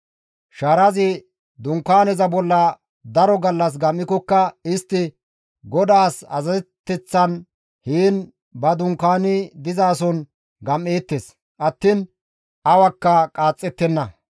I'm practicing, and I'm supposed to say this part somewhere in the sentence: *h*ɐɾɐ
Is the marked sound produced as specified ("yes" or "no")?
no